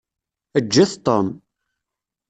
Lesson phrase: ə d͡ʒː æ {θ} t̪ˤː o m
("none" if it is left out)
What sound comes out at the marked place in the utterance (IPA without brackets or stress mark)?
θ